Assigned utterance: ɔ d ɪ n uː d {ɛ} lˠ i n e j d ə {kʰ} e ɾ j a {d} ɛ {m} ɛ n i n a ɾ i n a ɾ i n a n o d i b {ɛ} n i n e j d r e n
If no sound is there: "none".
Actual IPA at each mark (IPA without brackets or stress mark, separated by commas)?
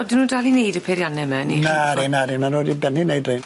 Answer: a, pʰ, n, m, ɛ